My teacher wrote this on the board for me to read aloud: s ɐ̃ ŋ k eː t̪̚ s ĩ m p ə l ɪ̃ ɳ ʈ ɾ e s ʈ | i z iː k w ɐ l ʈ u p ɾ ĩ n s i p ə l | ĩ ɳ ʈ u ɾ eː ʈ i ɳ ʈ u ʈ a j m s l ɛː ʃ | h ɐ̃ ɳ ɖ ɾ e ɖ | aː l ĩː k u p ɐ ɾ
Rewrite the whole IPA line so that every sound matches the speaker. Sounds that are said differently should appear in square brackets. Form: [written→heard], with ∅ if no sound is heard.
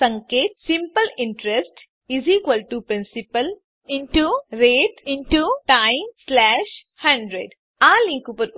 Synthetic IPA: s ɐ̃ ŋ k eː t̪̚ s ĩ m p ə l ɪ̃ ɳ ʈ ɾ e s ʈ | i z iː k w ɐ l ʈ u p ɾ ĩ n s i p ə l | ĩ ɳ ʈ u ɾ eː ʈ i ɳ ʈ u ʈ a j m s l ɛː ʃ | h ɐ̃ ɳ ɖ ɾ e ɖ | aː l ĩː k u p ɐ ɾ